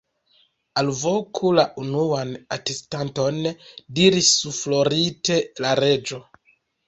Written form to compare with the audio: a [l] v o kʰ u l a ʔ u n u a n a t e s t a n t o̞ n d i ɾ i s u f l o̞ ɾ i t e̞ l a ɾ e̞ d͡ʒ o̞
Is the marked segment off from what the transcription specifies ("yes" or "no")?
no